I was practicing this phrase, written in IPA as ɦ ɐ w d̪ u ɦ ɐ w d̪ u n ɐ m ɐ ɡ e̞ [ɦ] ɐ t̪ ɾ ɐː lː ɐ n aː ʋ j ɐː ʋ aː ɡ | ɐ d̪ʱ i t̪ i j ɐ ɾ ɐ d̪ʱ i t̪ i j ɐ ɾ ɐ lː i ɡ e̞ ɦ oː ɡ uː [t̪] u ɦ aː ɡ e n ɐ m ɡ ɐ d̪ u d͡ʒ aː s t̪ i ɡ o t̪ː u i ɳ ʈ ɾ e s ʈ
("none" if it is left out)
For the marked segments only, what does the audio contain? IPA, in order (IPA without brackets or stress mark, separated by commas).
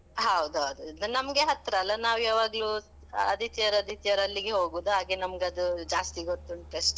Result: ɦ, d̪